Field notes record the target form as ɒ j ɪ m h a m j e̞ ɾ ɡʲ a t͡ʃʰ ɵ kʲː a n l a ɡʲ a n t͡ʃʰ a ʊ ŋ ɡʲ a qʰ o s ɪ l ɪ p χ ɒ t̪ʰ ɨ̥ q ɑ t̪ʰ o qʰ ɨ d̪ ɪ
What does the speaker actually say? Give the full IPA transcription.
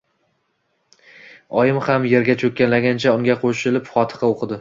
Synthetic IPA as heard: ɒ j ɪ m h a m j e̞ ɾ ɡʲ a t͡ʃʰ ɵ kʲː a n l a ɡʲ a n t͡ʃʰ a ʊ ŋ ɡʲ a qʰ o ʃ ɪ l ɪ p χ ɒ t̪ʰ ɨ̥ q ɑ o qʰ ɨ d̪ ɪ

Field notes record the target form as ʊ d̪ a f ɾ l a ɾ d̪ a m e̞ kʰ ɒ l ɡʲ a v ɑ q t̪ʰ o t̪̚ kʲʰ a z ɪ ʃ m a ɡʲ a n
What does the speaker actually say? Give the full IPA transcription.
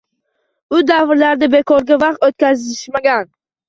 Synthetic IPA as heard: ʊ d̪ a v ɾ l a ɾ d̪ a b e̞ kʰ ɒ ɾ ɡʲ a v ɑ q t̪ o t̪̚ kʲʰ a z ɪ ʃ m a ɡʲ a n

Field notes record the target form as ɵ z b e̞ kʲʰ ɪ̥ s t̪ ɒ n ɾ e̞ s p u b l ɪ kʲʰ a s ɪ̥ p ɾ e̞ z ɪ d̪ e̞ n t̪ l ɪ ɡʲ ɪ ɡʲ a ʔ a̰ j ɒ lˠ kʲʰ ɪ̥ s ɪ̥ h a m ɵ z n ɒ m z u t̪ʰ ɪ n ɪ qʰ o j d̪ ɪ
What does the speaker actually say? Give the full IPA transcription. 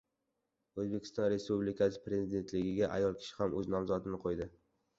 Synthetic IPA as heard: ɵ z b e̞ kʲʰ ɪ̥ s t̪ ɒ n ɾ e̞ s p u b l ɪ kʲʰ a s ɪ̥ p ɾ e̞ z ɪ d̪ e̞ n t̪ l ɪ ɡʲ ɪ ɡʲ a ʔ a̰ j ɒ lˠ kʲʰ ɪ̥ ʃ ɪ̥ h a m ɵ z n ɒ m z ɒ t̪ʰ ɪ n ɪ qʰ o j d̪ ɪ

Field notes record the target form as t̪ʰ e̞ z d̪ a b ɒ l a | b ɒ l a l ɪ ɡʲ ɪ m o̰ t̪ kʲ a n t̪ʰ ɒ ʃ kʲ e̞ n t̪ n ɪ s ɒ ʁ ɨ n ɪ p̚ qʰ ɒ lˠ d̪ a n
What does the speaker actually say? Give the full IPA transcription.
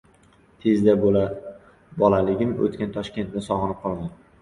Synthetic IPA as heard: t̪ʰ e̞ z d̪ a b o l a | b ɒ l a l ɪ ɡʲ ɪ m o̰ t̪ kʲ a n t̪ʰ ɒ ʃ kʲ e̞ n t̪ n ɪ s ɒ ʁ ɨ n ɪ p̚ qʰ ɒ lˠ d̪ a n

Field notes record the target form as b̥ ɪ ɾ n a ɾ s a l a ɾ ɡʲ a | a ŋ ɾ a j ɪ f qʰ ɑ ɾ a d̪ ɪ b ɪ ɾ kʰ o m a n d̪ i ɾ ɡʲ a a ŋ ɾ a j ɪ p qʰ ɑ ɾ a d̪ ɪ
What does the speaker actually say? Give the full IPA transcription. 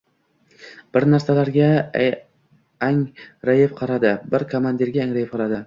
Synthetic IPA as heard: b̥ ɪ ɾ n a ɾ s a l a ɾ ɡʲ a | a ŋ ɾ a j ɪ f qʰ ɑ ɾ a d̪ ɪ b ɪ ɾ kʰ o m a n d̪ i ɾ ɡʲ a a ŋ ɾ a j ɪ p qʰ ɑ ɾ a d̪ ɪ

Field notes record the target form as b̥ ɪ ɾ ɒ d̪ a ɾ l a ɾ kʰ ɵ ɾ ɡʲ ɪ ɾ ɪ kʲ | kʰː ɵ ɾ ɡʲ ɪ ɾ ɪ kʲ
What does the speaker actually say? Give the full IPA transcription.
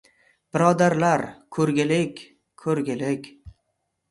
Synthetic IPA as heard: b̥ ɪ ɾ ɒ d̪ a ɾ l a ɾ kʰ ɵ ɾ ɡʲ ɪ l ɪ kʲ | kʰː ɵ ɾ ɡʲ ɪ l ɪ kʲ

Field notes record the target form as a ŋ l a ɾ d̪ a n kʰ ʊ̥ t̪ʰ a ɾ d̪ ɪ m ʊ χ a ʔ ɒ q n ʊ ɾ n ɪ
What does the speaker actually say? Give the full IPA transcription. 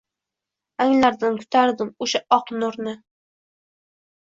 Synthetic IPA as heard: a ŋ l a ɾ d̪ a n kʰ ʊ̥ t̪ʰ a ɾ d̪ ɪ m ʊ ʃ a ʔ ɒ q n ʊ ɾ n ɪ

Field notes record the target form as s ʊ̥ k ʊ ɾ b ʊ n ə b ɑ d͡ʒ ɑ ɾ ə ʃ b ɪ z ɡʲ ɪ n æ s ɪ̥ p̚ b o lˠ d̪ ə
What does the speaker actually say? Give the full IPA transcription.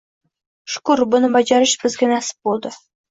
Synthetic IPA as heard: ʃ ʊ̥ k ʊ ɾ b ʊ n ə b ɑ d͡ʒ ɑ ɾ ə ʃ b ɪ z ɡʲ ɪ n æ s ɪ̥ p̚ b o lˠ d̪ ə

